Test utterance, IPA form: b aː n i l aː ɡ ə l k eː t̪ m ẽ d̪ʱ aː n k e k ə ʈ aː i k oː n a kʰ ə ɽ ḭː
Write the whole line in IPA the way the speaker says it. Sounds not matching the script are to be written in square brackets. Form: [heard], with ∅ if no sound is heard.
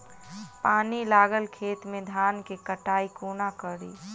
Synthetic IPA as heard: [p] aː n i l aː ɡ ə l [kʰ] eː t̪ m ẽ d̪ʱ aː n k e k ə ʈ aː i k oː n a [k] ə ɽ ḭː

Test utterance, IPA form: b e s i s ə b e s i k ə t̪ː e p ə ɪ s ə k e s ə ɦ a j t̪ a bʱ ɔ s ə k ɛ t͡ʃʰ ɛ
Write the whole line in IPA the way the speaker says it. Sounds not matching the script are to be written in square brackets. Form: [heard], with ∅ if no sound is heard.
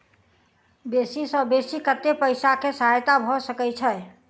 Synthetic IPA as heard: b e s i s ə b e s i k ə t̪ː e p ə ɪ s [a] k e s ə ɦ a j t̪ a bʱ ɔ s ə k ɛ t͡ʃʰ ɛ

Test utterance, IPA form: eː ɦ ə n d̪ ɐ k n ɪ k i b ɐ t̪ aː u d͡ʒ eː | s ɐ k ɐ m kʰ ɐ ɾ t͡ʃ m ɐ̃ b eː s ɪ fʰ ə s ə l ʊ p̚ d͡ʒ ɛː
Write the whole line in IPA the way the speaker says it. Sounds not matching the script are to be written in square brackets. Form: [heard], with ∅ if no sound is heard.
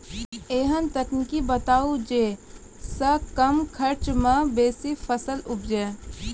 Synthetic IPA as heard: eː ɦ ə n [t̪] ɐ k n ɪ k i b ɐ t̪ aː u d͡ʒ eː | s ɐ k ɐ m kʰ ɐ ɾ t͡ʃ m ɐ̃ b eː s [i] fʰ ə s ə l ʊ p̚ d͡ʒ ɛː

